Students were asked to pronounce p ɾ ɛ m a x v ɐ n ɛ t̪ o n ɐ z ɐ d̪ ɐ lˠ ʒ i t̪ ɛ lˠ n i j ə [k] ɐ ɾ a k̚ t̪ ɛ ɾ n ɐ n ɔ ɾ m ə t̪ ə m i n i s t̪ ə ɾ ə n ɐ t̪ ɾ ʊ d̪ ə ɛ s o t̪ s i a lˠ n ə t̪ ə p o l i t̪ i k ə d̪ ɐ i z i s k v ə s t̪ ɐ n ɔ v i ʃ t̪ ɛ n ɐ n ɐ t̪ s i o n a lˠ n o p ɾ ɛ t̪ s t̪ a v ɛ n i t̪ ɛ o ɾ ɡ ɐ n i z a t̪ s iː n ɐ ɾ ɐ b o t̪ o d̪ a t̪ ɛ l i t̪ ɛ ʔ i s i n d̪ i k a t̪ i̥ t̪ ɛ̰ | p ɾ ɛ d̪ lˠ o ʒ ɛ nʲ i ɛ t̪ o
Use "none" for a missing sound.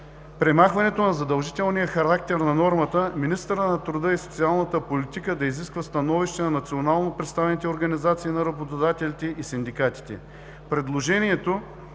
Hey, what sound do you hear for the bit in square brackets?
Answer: x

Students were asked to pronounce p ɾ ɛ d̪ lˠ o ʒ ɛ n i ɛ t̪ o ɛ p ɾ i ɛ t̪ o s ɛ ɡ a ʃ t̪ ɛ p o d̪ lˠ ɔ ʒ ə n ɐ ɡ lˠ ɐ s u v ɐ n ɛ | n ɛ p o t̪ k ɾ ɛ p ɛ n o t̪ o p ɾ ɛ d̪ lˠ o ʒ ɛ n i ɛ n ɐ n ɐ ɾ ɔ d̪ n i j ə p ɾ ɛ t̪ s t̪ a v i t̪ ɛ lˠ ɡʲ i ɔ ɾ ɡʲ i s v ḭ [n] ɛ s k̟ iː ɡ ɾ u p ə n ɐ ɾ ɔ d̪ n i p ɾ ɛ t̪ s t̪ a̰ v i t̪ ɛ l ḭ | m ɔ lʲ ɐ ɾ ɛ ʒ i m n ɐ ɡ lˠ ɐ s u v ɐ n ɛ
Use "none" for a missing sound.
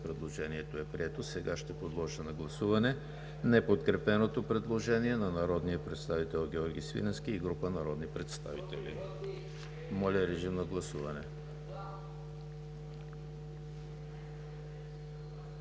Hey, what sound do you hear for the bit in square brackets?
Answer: n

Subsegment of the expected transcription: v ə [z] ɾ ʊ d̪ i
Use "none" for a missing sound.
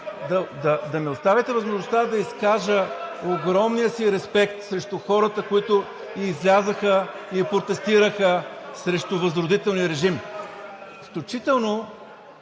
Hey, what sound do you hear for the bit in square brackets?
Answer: z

